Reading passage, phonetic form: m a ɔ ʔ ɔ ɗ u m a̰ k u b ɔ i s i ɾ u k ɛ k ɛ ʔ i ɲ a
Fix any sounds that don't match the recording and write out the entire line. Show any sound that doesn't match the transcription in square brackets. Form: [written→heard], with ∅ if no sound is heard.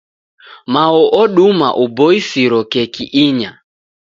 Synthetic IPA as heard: m a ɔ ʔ ɔ ɗ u m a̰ [k→ʔ] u b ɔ i s i ɾ [u→ɔ] k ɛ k [ɛ→i] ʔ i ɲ a